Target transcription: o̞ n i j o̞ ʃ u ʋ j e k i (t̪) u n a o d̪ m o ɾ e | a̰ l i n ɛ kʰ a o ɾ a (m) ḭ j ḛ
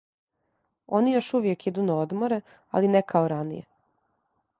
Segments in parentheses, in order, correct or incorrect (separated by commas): incorrect, incorrect